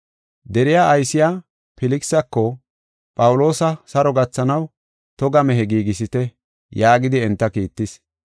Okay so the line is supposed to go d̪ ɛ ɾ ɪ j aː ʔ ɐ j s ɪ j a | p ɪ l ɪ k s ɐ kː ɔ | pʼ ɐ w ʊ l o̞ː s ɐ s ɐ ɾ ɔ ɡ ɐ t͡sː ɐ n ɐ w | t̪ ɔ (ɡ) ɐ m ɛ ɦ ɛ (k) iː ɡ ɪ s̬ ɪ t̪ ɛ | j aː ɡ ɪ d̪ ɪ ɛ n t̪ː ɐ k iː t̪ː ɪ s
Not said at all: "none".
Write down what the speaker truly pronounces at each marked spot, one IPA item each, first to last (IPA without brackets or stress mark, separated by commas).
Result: ɡ, ɡ